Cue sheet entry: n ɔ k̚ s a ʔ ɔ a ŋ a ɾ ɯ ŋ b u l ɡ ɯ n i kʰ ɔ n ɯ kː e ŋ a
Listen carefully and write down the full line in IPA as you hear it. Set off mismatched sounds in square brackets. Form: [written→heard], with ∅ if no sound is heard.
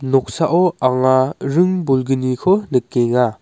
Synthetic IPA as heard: n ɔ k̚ s a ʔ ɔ a ŋ a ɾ ɯ ŋ b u l ɡ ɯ n i kʰ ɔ n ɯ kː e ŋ a